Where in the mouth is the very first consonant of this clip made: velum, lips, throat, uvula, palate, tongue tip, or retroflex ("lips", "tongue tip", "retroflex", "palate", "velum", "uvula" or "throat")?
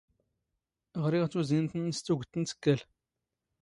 uvula